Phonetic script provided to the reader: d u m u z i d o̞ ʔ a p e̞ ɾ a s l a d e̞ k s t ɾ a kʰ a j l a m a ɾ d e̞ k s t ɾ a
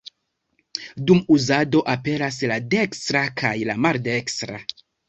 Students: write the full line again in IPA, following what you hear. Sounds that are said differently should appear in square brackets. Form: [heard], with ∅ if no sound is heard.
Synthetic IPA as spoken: d u m u z [a] d o̞ ʔ a p e̞ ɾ a s l a d e̞ k s t ɾ a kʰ a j l a m a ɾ d e̞ k s t ɾ a